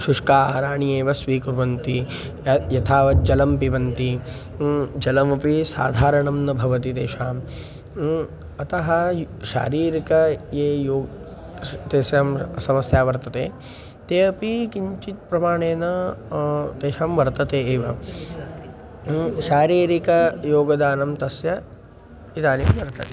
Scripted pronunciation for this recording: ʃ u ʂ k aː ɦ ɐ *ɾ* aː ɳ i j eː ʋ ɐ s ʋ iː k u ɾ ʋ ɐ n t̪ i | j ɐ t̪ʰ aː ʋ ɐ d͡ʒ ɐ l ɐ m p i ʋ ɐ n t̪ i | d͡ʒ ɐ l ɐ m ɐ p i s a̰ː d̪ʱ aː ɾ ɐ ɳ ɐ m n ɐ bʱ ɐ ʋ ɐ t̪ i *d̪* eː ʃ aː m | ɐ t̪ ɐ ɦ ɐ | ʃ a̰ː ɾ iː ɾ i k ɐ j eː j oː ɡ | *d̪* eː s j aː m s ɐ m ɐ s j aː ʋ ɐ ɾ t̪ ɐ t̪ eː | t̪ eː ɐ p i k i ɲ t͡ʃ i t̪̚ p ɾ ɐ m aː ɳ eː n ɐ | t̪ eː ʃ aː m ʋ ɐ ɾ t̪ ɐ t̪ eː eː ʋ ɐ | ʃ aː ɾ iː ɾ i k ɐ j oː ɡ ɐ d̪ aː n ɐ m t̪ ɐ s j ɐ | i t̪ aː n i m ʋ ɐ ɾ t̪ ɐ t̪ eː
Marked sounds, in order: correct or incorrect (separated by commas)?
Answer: correct, incorrect, incorrect